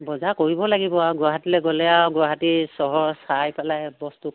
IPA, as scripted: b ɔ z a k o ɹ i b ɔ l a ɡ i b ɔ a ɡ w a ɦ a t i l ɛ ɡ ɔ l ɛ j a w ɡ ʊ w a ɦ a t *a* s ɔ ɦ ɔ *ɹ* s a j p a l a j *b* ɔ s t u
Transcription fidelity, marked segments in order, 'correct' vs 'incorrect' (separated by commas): incorrect, correct, correct